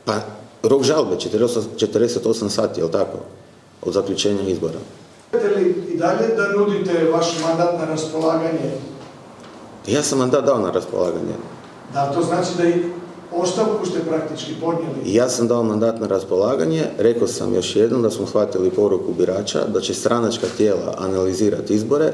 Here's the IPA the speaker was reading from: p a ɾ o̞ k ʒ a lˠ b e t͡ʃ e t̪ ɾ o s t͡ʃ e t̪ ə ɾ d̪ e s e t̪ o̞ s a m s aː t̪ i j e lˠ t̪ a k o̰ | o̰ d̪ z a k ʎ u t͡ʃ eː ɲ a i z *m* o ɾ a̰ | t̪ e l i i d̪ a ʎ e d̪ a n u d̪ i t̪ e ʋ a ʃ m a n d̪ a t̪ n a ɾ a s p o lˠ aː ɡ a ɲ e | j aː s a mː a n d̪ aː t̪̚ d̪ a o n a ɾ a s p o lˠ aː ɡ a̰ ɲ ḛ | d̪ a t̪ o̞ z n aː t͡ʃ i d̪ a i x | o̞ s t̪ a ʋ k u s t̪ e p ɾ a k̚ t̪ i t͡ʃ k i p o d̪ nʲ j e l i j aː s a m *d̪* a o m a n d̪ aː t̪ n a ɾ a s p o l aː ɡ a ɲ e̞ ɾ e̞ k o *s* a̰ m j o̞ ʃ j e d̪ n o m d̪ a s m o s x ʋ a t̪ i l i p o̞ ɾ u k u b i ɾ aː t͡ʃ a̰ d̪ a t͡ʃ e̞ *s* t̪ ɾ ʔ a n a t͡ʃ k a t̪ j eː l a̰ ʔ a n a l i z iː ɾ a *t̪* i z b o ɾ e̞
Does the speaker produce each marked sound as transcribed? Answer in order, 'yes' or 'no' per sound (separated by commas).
no, yes, yes, yes, yes